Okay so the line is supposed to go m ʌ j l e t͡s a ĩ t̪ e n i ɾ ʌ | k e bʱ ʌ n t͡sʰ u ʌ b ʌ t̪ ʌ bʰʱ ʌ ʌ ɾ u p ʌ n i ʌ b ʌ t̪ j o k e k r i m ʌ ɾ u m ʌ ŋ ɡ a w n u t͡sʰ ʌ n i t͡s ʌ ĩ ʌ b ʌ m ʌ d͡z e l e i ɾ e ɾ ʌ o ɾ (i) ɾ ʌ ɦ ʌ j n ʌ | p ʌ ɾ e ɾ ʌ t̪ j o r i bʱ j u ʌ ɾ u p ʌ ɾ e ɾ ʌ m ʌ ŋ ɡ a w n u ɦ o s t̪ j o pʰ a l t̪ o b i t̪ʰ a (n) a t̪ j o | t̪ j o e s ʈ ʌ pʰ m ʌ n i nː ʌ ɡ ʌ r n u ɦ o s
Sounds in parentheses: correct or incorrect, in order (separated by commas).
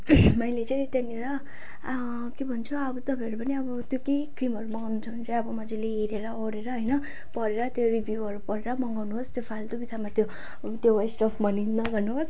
incorrect, incorrect